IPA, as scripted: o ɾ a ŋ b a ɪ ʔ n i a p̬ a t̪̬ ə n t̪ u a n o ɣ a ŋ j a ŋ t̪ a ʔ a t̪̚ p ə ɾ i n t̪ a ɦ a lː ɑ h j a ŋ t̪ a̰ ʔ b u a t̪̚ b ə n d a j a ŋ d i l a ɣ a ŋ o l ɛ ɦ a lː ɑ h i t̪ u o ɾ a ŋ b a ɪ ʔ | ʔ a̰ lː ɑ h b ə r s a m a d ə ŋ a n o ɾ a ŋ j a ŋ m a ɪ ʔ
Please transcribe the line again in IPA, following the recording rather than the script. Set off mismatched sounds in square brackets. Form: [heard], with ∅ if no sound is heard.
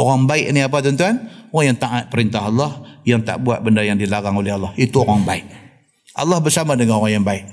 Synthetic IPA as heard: o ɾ a ŋ b a ɪ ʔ n i a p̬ a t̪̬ ə n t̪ u a n o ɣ a ŋ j a ŋ t̪ a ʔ a t̪̚ p ə ɾ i n t̪ a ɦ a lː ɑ h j a ŋ t̪ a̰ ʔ b u a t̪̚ b ə n d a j a ŋ d i l a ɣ a ŋ o l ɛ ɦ a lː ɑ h i t̪ u o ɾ a ŋ b a ɪ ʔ | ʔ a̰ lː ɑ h b ə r s a m a d ə ŋ a n o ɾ a ŋ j a ŋ [b] a ɪ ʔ